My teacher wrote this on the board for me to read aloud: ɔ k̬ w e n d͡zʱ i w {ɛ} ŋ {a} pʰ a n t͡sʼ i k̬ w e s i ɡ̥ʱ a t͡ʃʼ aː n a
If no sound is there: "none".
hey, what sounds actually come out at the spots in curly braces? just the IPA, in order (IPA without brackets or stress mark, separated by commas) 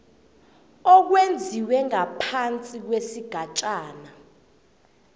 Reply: ɛ, a